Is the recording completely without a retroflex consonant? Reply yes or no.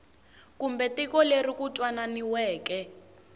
yes